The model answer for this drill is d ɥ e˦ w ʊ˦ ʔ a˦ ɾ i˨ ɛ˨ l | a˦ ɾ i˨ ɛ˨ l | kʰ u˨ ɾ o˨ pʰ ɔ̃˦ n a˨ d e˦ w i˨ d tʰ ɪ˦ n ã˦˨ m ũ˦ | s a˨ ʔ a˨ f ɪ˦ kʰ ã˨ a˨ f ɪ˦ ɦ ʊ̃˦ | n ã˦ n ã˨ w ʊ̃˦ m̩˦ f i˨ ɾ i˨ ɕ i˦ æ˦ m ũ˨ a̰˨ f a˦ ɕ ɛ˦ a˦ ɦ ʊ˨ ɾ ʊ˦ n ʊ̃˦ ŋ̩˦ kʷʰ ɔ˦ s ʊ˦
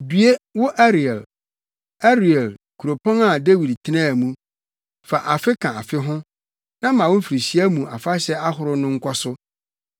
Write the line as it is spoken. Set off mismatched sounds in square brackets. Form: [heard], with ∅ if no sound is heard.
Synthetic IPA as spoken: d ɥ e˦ w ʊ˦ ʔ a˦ ɾ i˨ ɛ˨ l | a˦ ɾ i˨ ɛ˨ l | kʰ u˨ ɾ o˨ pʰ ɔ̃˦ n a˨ d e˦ w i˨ d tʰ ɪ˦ n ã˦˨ m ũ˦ | [f] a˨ ʔ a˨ f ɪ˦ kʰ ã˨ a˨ f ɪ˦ ɦ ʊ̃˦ | n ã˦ [m] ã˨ w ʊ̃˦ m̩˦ f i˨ ɾ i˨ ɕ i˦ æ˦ m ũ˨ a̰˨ f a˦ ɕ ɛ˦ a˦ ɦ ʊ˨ ɾ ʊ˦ n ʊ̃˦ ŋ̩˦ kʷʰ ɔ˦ s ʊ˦